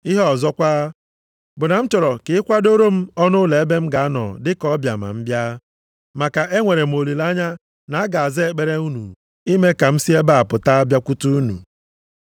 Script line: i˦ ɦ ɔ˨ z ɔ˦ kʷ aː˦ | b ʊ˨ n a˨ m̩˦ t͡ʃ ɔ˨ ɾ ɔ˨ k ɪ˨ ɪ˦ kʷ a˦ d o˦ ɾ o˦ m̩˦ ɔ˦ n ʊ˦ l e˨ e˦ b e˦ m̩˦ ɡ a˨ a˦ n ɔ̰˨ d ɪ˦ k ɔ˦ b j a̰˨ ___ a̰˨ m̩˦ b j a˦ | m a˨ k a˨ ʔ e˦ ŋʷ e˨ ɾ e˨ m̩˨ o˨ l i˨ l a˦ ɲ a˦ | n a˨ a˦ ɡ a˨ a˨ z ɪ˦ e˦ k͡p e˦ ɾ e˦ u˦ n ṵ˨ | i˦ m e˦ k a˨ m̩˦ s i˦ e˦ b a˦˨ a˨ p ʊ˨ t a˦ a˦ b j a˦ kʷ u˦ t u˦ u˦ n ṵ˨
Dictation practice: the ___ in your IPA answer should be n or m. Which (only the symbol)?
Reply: m